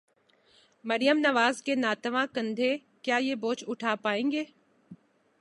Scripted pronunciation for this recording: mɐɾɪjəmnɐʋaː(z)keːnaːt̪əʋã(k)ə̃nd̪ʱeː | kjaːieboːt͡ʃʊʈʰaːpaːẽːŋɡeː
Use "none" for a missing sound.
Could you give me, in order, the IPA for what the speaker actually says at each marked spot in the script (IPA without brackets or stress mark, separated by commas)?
z, k